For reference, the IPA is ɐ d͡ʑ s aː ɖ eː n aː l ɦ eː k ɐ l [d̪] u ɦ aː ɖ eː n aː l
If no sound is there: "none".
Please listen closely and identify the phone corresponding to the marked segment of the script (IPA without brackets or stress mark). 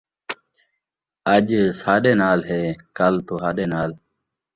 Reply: t̪